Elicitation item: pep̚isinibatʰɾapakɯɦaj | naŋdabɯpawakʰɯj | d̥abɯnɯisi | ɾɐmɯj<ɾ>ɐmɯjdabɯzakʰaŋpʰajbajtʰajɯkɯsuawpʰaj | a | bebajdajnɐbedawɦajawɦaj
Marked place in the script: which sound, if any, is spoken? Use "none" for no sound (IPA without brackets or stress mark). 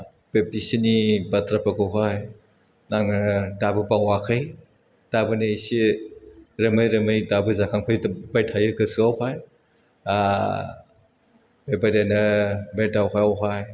ɾ